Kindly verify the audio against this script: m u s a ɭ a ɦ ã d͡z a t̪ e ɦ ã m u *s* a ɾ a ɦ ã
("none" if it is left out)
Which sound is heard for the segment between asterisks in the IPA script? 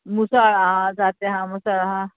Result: s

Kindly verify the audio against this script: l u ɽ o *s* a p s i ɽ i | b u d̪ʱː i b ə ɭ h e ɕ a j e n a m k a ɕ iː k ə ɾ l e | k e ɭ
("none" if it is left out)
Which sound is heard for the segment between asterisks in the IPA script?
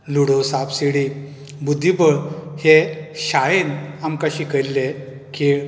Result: s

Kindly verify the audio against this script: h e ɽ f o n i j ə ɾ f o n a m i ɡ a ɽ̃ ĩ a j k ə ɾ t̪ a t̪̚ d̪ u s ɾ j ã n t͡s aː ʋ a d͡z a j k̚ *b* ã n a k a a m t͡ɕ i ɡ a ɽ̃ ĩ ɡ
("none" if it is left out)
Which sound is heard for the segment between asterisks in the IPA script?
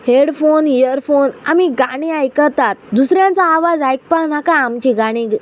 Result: p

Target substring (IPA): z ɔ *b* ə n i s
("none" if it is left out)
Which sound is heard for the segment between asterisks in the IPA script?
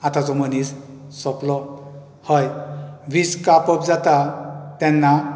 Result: m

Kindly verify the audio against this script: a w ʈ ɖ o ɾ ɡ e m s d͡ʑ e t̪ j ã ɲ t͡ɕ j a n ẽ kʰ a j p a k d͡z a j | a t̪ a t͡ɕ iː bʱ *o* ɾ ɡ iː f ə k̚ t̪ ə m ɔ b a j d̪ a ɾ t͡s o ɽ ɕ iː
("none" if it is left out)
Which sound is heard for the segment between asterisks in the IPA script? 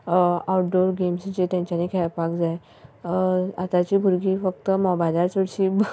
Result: u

